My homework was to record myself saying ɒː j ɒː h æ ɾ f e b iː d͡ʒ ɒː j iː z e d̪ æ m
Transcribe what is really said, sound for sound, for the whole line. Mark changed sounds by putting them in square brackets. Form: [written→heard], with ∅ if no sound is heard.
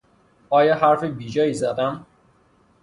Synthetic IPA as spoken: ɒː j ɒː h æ ɾ f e b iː d͡ʒ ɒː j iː z [e→æ] d̪ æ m